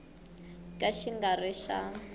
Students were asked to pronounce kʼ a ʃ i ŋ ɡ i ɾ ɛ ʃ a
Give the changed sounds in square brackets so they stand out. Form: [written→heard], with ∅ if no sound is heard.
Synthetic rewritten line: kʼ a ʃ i ŋ ɡ [i→a] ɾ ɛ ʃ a